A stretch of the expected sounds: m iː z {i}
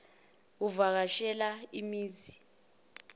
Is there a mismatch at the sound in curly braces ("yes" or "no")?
no